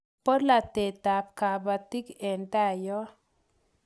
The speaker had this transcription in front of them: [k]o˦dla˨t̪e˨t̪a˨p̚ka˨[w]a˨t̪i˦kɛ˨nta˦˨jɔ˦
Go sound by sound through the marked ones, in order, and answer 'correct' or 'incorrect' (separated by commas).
incorrect, incorrect